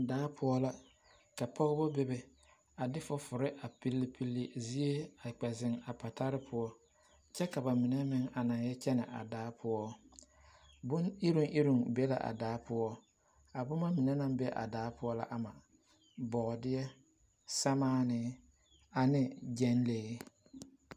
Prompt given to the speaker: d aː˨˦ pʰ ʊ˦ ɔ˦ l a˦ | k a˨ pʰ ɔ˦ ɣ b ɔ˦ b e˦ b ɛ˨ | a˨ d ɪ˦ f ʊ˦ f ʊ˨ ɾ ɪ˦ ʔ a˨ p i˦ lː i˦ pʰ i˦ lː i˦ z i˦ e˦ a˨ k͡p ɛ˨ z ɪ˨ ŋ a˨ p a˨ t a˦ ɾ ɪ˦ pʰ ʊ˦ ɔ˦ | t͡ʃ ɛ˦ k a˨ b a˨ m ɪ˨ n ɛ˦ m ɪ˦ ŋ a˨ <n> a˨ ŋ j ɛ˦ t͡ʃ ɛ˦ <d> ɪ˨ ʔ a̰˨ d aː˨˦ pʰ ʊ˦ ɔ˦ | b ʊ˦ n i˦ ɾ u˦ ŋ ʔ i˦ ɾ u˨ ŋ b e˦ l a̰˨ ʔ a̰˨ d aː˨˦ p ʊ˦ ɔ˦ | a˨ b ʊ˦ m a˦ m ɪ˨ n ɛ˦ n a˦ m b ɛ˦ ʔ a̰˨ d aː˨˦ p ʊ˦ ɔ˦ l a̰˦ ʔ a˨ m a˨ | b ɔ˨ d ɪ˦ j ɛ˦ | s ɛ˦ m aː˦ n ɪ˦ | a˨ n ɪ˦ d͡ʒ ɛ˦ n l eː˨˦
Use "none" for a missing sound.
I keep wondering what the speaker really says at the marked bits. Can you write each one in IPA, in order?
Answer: n, n

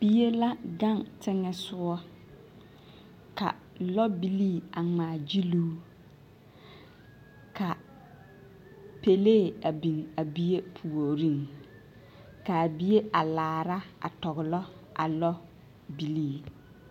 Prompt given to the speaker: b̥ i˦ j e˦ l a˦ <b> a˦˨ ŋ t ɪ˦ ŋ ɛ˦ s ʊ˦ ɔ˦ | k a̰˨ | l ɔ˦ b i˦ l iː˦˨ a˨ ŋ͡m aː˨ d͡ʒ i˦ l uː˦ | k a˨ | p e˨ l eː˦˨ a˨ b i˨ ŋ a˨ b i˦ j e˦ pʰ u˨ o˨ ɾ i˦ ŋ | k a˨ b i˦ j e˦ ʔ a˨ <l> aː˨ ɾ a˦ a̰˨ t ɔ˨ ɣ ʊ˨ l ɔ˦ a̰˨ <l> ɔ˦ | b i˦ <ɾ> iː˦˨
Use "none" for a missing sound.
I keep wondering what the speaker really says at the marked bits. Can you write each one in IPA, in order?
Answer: ɡ, l, l, l

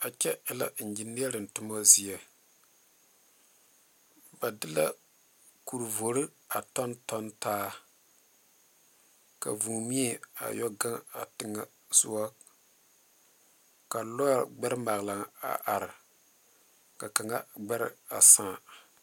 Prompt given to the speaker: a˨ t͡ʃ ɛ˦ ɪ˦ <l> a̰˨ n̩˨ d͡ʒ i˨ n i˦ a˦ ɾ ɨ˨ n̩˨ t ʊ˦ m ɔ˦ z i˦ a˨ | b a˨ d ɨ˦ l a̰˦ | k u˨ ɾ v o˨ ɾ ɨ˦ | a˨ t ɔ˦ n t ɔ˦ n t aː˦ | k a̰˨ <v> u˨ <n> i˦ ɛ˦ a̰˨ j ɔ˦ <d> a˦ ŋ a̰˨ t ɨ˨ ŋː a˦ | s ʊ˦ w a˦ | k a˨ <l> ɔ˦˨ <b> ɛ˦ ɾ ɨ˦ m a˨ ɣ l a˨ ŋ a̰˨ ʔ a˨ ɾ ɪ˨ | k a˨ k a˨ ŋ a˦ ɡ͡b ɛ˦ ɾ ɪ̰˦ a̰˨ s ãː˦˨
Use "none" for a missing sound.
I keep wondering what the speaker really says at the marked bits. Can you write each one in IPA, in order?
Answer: l, v, m, ɡ, l, ɡ͡b

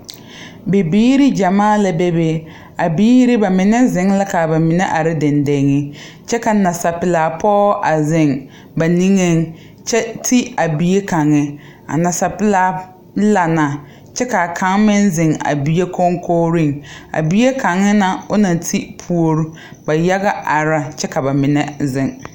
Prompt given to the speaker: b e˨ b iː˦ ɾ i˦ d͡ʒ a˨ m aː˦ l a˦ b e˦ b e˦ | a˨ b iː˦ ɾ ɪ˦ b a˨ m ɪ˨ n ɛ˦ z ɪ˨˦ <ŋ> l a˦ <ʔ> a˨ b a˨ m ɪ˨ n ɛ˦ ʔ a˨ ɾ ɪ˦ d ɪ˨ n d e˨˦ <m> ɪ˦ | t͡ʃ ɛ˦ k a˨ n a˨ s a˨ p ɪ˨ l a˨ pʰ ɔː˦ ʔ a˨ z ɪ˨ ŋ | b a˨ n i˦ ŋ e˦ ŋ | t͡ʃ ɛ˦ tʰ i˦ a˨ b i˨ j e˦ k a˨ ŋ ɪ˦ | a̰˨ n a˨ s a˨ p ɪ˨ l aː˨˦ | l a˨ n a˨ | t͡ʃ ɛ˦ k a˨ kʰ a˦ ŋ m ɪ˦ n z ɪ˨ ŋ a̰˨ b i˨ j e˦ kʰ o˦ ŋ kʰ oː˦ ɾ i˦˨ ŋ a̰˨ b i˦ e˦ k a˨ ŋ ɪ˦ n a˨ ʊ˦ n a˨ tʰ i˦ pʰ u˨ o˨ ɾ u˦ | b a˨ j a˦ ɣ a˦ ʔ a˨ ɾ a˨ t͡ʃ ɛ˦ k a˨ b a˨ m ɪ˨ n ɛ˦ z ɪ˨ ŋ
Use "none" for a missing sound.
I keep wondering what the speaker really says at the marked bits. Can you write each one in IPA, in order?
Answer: ŋ, k, ŋ

